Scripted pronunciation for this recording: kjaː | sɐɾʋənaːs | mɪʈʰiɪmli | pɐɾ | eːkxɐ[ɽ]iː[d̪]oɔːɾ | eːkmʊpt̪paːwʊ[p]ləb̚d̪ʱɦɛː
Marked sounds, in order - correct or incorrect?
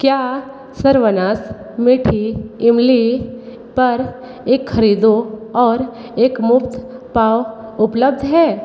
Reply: incorrect: ɾ, correct, correct

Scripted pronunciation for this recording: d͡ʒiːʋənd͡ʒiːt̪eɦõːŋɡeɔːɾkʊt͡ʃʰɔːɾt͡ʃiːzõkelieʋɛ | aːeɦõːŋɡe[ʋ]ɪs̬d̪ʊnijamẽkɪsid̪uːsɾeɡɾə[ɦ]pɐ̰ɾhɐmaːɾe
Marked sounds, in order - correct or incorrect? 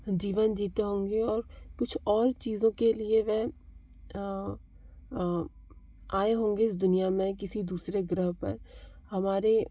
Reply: incorrect: none, correct

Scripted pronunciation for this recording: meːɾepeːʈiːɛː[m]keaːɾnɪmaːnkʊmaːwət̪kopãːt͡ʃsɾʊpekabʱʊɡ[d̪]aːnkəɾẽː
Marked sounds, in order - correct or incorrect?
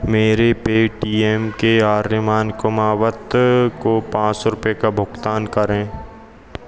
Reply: correct, incorrect: t̪

